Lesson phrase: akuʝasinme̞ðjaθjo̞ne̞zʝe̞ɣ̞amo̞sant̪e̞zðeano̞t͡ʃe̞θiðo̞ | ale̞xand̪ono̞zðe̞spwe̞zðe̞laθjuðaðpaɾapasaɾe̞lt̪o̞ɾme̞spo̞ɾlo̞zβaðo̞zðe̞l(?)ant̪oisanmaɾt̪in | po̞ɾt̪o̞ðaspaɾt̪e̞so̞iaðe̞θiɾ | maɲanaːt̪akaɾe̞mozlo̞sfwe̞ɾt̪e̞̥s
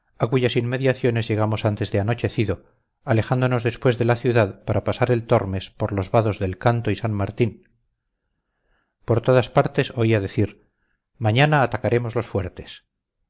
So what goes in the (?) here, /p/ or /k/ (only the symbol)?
k